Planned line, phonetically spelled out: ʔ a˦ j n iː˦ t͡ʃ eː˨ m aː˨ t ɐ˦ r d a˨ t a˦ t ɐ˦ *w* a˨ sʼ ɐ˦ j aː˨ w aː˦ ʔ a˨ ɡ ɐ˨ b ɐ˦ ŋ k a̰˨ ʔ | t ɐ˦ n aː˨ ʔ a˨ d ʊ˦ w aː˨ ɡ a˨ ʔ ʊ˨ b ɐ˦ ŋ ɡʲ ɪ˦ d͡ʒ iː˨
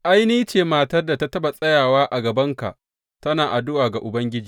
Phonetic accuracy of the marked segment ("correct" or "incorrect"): incorrect